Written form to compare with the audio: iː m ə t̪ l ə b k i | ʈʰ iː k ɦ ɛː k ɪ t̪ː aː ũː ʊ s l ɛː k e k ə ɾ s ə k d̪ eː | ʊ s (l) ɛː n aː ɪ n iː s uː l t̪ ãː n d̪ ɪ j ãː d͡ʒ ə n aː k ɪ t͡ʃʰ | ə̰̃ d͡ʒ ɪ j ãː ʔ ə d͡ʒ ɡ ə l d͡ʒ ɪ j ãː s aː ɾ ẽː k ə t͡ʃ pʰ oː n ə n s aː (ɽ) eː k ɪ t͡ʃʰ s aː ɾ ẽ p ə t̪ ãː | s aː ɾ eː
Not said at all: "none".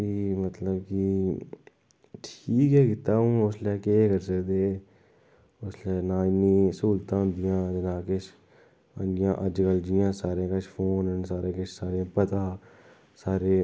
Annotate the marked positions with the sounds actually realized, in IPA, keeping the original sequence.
l, ɾ

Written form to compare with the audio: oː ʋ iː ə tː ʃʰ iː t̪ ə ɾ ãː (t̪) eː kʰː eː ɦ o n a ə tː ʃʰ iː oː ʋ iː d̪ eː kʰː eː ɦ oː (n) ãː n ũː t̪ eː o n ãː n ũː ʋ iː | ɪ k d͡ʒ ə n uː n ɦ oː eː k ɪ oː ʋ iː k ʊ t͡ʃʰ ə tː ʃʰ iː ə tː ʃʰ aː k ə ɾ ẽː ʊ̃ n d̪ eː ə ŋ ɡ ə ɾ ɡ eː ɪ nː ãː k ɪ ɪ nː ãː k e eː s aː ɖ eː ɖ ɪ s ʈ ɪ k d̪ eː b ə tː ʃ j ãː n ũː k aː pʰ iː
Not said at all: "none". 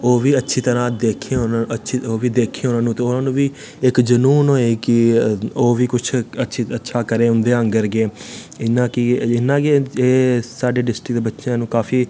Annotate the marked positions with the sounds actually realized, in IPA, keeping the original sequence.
d̪, n

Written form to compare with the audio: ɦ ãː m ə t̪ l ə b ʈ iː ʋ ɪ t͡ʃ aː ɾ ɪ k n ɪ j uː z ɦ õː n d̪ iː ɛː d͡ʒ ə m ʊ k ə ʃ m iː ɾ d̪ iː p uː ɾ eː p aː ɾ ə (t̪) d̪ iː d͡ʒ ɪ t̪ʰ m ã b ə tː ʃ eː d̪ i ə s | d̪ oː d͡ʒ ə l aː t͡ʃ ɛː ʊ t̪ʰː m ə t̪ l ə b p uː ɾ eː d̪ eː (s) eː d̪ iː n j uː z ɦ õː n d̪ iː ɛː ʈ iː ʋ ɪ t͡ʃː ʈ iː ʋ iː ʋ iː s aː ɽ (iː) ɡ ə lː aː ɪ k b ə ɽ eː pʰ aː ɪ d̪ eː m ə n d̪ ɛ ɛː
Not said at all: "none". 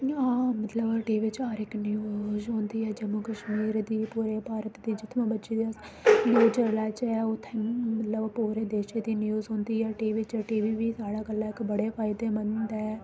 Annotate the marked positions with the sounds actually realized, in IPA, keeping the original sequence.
t̪, ʃ, aː

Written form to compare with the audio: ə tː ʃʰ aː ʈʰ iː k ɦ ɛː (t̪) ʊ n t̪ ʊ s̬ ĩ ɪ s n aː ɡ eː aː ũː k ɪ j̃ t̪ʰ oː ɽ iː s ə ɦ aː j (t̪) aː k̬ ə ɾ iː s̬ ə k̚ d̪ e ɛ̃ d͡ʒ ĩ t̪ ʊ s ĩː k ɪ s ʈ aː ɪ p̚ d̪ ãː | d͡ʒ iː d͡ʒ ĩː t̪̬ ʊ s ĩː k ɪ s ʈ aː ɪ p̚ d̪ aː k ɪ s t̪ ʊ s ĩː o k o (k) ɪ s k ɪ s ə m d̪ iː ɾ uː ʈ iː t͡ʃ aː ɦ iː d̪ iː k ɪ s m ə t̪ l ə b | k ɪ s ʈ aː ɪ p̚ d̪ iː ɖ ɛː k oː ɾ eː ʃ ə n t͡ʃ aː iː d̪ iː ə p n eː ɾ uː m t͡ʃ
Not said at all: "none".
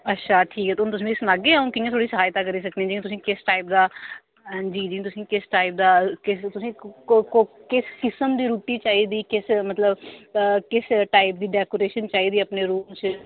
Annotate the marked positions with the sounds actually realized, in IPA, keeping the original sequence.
t̪, t̪, k

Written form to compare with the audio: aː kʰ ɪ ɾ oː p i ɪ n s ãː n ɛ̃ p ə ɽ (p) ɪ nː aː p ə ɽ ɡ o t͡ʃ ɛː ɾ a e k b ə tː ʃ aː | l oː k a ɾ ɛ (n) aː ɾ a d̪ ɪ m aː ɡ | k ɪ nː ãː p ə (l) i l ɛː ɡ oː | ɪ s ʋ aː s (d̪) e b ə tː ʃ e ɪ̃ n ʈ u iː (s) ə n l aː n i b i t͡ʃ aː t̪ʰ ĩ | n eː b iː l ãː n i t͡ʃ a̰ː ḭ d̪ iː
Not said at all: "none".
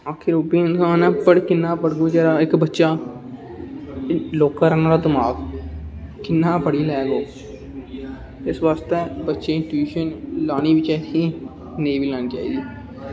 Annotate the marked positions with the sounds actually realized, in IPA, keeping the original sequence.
k, n, ɽ, t̪, ʃ

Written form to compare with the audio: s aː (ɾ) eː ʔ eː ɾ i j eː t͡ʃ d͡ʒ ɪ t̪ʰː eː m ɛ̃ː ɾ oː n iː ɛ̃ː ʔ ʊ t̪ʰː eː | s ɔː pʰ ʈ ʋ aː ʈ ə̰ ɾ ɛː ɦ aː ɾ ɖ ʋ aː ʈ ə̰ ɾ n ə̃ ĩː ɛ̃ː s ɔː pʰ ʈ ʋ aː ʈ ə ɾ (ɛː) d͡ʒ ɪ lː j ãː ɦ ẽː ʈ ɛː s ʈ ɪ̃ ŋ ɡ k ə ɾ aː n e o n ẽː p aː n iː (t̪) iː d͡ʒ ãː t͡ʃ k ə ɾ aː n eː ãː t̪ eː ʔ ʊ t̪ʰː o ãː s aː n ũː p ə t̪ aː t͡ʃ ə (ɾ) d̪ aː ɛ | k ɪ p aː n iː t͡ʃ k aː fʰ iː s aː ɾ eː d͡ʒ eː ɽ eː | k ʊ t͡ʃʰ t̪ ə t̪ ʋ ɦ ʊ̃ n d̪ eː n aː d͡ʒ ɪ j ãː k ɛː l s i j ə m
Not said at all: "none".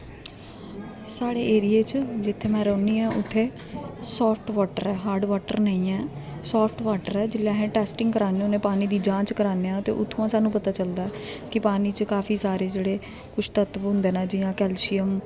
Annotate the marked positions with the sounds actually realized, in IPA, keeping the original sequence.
ɽ, ɛː, d̪, l

